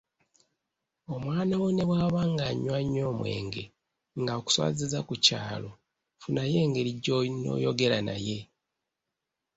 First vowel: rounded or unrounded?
rounded